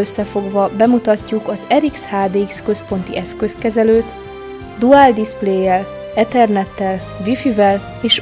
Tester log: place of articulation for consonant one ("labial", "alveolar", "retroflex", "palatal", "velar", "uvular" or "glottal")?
alveolar